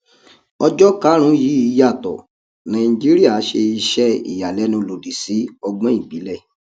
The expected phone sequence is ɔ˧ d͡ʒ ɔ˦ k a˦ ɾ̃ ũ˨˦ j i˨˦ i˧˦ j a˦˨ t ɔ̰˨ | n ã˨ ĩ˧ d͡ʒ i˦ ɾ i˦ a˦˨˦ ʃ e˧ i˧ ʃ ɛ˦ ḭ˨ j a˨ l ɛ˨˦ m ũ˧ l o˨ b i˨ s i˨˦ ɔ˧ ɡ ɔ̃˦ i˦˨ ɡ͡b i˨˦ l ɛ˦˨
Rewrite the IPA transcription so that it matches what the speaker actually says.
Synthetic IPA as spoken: ɔ˧ d͡ʒ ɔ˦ k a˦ ɾ̃ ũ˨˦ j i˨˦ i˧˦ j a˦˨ t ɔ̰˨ | n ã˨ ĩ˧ d͡ʒ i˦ ɾ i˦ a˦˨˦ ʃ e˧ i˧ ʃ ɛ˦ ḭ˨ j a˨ l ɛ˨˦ n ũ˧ l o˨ d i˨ s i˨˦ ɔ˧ ɡ͡b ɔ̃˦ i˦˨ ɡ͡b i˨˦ l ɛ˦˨